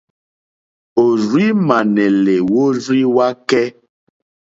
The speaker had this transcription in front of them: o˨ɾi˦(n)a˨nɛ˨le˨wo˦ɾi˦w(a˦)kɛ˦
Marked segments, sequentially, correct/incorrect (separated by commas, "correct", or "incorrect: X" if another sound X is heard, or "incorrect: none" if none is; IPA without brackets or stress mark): incorrect: m, correct